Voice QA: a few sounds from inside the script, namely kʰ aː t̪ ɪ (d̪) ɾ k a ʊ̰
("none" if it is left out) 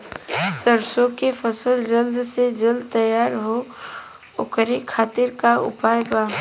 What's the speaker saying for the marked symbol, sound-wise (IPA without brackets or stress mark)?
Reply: none